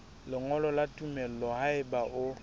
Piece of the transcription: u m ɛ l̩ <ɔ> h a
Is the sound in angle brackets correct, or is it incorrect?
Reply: correct